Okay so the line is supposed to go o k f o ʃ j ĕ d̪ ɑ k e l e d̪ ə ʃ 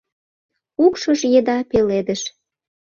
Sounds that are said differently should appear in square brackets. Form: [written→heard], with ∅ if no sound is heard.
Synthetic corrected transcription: [o→u] k [f→ʃ] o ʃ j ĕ d̪ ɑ [k→p] e l e d̪ ə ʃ

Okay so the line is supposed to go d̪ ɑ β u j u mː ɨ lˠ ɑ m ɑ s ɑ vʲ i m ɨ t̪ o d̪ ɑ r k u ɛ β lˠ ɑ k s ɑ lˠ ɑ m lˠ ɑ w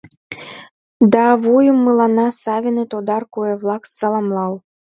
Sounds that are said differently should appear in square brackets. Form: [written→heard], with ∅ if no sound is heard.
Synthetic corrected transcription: d̪ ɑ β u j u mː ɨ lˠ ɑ [m→n] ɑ s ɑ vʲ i [m→n] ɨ t̪ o d̪ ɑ r k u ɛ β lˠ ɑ k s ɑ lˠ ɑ m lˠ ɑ w

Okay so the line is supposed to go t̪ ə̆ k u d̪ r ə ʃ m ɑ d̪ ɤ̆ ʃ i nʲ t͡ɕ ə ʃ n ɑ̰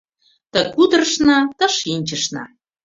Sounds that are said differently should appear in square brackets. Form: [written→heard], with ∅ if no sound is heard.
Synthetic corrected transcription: t̪ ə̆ k u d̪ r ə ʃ [m→n] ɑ [d̪→t̪] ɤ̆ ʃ i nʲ t͡ɕ ə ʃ n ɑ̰

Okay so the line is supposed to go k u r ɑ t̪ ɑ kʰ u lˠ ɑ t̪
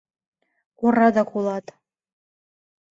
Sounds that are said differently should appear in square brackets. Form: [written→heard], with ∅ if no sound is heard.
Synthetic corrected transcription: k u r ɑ [t̪→d̪] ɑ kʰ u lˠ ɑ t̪

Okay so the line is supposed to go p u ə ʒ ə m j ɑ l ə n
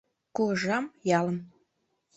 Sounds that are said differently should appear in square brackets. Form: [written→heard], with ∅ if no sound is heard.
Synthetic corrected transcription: [p→k] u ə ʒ [ə→ɑ] m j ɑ l ə [n→m]

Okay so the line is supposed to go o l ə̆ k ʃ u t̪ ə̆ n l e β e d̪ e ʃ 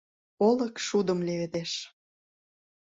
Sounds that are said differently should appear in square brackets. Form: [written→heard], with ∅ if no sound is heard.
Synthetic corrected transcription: o l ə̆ k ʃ u [t̪→d̪] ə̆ [n→m] l e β e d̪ e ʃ

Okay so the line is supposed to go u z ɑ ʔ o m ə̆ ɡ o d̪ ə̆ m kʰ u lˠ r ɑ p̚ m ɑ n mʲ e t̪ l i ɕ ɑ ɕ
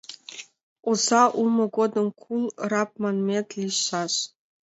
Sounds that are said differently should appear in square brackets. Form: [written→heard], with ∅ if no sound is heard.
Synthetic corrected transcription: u z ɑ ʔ [o→u] m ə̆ ɡ o d̪ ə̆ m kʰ u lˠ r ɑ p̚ m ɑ n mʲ e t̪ l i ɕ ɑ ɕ

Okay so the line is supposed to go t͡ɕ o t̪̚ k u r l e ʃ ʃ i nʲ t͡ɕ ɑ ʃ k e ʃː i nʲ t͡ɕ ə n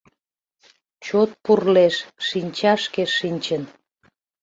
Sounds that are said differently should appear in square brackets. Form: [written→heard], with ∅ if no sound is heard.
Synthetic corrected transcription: t͡ɕ o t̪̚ [k→p] u r l e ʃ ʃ i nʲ t͡ɕ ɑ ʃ k e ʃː i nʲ t͡ɕ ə n

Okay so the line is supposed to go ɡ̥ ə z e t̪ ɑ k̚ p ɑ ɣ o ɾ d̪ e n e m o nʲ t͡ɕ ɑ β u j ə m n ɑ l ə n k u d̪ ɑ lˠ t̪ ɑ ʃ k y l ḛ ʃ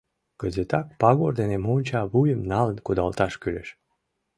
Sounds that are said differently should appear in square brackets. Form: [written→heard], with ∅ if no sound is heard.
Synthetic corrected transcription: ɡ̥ ə z e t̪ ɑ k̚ p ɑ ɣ o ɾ d̪ e n e m o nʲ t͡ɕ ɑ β u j ə m n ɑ l ə n k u d̪ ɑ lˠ t̪ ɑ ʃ k y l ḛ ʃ

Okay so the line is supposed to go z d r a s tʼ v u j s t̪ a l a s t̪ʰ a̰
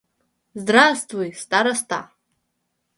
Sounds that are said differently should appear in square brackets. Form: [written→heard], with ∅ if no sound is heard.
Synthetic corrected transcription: z d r a s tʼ v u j s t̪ a [l→ɾ] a s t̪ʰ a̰

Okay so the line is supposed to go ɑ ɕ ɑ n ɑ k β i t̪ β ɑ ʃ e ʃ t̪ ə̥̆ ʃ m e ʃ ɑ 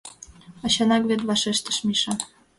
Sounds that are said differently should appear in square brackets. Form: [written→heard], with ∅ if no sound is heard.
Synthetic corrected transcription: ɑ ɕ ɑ n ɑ k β [i→e] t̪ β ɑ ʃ e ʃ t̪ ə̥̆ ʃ m [e→i] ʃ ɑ

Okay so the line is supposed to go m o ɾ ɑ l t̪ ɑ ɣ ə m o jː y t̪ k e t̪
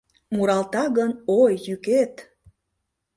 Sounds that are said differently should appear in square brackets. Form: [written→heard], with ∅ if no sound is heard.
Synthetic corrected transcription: m [o→u] ɾ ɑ l t̪ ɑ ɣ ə [m→n] o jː y [t̪→∅] k e t̪

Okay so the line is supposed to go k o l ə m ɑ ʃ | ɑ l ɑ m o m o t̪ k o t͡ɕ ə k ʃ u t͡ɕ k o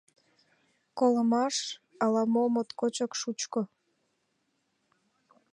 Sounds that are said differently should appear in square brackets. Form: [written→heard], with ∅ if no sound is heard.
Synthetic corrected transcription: k o l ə m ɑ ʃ | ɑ l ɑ m o m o t̪ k o t͡ɕ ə k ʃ u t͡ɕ k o

